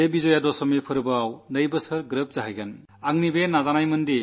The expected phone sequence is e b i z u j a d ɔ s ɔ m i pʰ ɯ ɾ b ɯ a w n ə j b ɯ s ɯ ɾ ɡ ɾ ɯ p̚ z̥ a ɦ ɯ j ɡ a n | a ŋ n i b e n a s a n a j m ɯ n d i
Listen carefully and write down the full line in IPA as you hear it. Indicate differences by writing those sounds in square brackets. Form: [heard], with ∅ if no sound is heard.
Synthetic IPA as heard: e b i z [ɔ] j a d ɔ s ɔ m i pʰ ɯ ɾ b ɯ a w n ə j b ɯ s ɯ ɾ ɡ ɾ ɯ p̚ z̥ a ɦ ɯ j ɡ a n | a ŋ n i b e n a [z] a n a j m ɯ n d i